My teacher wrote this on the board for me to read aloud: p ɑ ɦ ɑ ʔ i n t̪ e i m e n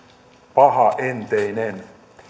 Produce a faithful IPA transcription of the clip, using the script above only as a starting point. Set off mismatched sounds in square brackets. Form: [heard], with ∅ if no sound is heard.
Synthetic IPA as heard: p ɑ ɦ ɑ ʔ [e] n t̪ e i [n] e n